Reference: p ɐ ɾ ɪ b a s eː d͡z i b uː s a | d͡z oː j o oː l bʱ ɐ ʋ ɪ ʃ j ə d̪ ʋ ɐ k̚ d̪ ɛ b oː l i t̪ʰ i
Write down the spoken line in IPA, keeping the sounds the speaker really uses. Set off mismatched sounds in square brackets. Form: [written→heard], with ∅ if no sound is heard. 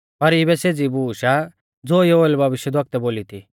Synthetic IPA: p ɐ ɾ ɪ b [a→ɛ] s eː d͡z i b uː [s→ʃ] a | d͡z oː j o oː l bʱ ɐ ʋ ɪ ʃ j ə d̪ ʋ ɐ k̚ [d̪→t̪] ɛ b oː l i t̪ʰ i